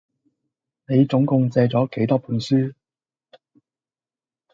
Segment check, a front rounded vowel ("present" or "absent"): present